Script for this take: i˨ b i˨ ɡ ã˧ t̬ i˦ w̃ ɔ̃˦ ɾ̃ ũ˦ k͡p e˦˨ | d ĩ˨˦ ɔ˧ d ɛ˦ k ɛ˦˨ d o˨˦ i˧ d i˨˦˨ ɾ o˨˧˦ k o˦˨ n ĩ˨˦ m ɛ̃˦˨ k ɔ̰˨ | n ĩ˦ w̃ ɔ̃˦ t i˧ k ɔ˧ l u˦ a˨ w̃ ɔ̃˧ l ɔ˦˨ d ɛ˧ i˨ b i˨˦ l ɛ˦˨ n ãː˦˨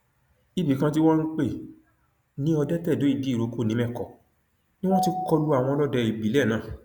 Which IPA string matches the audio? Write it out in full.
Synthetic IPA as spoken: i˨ b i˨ k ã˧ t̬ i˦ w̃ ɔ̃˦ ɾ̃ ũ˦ k͡p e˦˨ | n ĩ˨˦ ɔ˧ d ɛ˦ t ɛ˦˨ d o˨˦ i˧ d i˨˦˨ ɾ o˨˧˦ k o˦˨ n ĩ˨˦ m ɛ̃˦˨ k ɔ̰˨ | n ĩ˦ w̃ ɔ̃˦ t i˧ k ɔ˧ l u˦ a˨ w̃ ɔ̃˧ l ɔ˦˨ d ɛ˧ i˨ b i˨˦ l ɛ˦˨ n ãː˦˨

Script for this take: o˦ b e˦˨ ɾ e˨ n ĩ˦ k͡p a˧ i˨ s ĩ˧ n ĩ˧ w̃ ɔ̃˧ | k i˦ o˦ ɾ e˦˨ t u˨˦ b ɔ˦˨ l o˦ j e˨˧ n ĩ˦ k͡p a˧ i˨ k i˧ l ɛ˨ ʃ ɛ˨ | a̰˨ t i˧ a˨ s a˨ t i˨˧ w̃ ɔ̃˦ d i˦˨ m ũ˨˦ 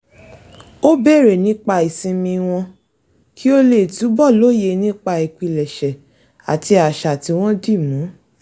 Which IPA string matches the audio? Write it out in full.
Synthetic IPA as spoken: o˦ b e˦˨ ɾ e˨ n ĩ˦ k͡p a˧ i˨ s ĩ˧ m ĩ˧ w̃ ɔ̃˧ | k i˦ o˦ l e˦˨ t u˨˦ b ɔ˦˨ l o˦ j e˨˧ n ĩ˦ k͡p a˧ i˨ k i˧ l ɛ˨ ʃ ɛ˨ | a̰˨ t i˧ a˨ ʃ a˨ t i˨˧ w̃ ɔ̃˦ d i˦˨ m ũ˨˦

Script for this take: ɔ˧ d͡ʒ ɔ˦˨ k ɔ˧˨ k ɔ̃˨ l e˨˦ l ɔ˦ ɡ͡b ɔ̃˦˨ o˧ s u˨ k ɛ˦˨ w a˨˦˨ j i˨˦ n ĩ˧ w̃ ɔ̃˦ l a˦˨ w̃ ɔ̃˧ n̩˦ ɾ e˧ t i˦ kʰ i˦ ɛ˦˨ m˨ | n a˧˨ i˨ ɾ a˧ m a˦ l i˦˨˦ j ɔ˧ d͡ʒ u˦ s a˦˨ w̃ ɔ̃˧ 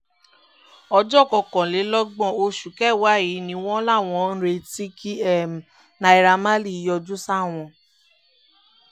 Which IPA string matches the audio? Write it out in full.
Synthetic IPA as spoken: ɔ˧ d͡ʒ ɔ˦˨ k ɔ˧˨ k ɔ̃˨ l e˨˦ l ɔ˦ ɡ͡b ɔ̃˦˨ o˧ ʃ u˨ k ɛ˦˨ w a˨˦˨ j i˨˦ n ĩ˧ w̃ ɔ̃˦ l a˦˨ w̃ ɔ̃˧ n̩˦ ɾ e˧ t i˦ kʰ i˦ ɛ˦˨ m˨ | n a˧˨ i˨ ɾ a˧ m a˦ l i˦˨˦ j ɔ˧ d͡ʒ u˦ s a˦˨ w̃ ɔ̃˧

